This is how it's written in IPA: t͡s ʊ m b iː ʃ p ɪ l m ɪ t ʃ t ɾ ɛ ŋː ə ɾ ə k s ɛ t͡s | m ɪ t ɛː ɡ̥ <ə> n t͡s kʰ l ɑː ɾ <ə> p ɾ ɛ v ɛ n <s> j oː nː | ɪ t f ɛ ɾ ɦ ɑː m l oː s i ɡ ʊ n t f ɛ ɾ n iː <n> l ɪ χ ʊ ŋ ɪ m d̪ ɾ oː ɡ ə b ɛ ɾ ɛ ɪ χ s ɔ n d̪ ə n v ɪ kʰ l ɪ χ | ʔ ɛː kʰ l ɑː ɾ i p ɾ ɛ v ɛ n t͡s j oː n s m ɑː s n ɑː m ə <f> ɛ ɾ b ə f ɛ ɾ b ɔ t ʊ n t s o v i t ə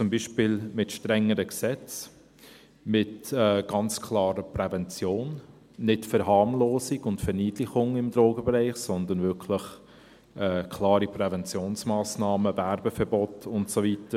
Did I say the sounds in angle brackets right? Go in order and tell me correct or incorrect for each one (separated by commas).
incorrect, correct, incorrect, incorrect, incorrect